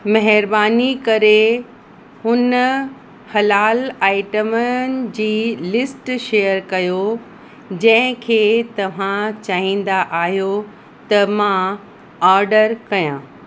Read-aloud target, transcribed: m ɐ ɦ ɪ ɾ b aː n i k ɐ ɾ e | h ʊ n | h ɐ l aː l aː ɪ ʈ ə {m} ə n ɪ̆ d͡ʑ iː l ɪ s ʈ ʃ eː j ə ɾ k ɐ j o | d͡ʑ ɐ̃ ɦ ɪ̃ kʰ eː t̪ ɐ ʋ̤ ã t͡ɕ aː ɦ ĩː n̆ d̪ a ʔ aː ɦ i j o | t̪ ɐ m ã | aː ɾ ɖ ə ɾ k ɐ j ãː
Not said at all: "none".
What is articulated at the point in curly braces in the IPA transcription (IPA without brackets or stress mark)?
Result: m